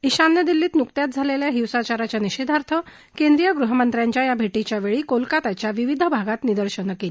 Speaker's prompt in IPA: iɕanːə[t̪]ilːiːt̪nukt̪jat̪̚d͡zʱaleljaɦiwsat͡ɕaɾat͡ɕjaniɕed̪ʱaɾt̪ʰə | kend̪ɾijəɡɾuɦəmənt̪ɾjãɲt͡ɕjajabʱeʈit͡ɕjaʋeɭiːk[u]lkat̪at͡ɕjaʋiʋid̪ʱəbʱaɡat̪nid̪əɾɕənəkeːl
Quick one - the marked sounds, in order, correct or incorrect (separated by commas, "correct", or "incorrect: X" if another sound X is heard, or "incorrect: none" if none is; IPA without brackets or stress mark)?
incorrect: d̪, incorrect: o